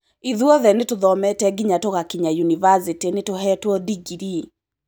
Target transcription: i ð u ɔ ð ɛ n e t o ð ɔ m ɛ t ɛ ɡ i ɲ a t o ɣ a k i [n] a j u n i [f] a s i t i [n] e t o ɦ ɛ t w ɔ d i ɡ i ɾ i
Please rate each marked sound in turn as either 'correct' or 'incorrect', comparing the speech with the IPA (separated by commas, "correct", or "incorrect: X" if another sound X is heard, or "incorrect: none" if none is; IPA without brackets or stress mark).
incorrect: ɲ, incorrect: v, correct